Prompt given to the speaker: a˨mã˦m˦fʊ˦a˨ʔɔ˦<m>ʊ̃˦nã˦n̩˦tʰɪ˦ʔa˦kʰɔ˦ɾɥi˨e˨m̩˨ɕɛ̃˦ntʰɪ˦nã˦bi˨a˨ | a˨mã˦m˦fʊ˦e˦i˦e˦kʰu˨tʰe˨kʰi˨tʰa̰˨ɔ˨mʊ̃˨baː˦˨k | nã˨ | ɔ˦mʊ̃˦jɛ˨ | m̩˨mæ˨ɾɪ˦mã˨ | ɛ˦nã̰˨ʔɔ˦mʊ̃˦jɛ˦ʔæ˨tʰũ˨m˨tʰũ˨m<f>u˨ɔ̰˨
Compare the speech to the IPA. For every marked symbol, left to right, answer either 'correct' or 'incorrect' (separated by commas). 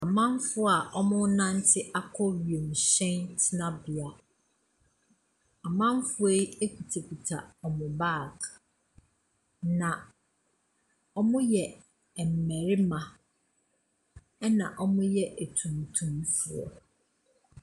correct, correct